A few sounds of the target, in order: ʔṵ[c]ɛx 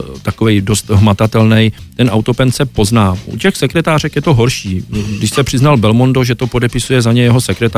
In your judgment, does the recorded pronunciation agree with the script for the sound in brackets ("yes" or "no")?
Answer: yes